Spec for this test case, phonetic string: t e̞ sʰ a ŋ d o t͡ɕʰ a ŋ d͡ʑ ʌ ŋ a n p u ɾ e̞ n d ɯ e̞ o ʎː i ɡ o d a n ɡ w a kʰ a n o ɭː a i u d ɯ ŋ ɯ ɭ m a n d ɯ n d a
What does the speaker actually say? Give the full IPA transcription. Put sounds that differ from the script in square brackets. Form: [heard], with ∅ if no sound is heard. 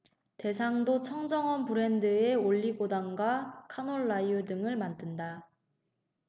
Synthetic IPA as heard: t e̞ sʰ a ŋ d o t͡ɕʰ [ʌ] ŋ d͡ʑ ʌ ŋ [ʌ] n p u ɾ e̞ n d ɯ e̞ o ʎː i ɡ o d a [ŋ] ɡ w a kʰ a n o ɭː a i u d ɯ ŋ ɯ ɭ m a n d ɯ n d a